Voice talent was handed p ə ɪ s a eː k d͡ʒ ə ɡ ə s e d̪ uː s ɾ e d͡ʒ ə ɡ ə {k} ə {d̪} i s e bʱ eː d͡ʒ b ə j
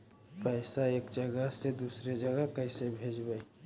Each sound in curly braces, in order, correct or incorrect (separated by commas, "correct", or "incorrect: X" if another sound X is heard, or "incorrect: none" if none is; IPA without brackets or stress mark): correct, incorrect: none